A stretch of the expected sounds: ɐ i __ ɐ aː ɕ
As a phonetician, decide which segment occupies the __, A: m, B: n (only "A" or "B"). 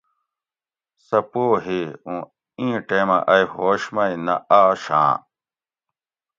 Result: B